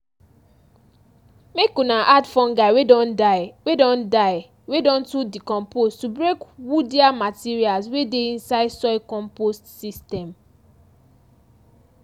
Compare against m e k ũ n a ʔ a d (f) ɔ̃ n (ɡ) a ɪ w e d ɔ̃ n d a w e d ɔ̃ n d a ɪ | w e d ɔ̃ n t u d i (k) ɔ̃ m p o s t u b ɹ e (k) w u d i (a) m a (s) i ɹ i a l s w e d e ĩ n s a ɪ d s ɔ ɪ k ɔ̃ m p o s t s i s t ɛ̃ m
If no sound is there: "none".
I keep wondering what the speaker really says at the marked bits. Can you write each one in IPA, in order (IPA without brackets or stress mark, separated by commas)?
f, ɡ, k, k, a, t